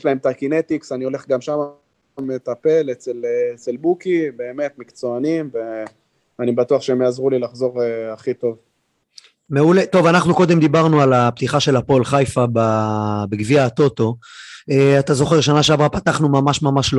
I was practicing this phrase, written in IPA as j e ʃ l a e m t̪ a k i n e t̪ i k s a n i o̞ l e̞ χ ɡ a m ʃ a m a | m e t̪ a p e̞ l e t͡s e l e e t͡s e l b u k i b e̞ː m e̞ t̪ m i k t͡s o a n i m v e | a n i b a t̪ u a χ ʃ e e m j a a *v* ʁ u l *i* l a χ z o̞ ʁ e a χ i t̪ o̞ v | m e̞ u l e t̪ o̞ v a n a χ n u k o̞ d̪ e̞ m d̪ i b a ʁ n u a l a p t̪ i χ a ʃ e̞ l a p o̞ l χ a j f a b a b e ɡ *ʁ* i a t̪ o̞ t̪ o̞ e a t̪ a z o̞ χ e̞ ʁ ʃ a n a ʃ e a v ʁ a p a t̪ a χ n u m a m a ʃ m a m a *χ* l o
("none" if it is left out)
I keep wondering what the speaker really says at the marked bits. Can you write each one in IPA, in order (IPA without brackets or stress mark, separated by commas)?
z, i, v, ʃ